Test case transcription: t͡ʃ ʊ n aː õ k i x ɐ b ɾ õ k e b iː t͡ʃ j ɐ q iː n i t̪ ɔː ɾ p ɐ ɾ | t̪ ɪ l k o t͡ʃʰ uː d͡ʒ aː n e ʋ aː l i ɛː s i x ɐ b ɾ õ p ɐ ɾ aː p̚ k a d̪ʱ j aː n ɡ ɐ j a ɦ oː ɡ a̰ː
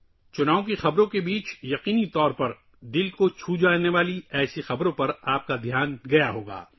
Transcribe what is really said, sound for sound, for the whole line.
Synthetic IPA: t͡ʃ ʊ n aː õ k i x ɐ b ɾ õ k e b iː t͡ʃ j ɐ q iː n i t̪ ɔː ɾ p ɐ ɾ | d̪ ɪ l k o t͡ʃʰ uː d͡ʒ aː n e ʋ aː l i ɛː s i x ɐ b ɾ õ p ɐ ɾ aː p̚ k a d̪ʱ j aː n ɡ ɐ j a ɦ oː ɡ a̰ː